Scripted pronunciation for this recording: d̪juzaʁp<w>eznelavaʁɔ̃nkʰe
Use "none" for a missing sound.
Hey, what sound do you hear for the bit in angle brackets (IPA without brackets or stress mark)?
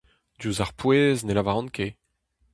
w